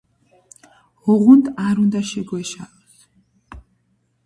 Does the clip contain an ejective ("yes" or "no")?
no